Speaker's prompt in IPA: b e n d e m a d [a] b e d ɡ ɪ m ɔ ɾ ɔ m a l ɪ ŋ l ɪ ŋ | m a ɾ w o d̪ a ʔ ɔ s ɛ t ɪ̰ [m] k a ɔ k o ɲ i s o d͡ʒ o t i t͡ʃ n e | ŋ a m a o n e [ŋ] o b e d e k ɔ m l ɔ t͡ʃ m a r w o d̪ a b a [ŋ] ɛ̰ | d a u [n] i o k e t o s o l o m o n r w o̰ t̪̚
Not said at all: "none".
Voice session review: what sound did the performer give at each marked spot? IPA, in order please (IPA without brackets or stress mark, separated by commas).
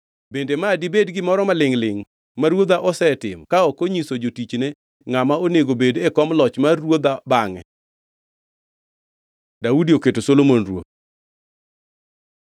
i, m, ɡ, ŋ, d